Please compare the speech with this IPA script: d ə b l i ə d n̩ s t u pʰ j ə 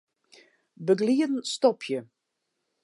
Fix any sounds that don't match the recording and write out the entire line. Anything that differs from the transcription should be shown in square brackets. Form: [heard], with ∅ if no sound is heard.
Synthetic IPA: [b] ə [ɡ] l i ə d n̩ s t [ɔ] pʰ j ə